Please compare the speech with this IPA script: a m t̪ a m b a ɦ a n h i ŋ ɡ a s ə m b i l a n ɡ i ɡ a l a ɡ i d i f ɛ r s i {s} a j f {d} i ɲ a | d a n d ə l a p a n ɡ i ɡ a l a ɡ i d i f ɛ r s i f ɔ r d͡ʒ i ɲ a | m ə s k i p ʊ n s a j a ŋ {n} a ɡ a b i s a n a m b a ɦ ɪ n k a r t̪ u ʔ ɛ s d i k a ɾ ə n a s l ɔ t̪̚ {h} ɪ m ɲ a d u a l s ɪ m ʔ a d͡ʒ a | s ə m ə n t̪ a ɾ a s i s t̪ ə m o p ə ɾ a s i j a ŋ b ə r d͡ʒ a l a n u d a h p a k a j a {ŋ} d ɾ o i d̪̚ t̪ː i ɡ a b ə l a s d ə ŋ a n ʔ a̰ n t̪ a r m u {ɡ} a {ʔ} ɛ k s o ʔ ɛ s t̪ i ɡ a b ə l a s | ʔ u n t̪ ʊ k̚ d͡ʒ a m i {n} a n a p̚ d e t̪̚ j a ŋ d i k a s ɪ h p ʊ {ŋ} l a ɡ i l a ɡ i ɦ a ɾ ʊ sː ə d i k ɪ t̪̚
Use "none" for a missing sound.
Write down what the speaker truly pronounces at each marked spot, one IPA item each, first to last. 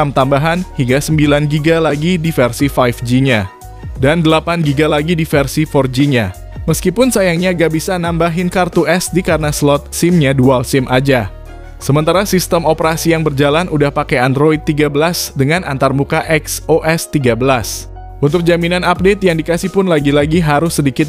f, d͡ʒ, ɲ, s, n, k, ʔ, n, n

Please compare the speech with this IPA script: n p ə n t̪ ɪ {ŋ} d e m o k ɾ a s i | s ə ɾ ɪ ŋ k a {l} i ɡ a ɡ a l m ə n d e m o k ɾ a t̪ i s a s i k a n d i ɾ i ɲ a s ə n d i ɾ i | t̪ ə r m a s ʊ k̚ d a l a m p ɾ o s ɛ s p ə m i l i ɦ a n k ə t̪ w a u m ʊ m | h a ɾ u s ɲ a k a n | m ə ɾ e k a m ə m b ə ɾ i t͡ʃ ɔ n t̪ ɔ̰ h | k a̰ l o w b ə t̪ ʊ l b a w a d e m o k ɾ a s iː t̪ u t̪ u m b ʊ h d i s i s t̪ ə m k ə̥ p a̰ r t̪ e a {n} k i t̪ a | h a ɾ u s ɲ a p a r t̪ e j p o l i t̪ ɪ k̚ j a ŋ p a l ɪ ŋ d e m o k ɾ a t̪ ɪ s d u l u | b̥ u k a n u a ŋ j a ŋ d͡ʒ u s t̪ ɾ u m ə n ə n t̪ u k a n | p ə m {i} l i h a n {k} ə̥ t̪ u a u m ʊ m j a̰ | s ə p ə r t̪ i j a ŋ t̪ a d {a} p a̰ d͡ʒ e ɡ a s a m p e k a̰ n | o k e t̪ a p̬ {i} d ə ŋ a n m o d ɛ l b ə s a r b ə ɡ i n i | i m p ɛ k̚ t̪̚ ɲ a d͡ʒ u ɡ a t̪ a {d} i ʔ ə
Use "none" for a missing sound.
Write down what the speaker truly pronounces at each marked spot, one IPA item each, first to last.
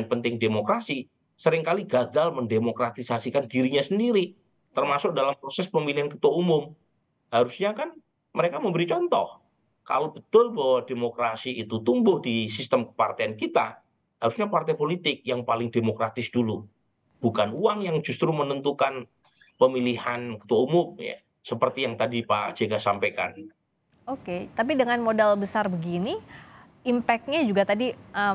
ŋ, l, n, i, k, i, i, d

